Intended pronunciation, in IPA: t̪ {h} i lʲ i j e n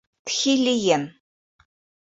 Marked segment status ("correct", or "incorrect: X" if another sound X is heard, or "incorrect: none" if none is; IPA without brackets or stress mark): incorrect: x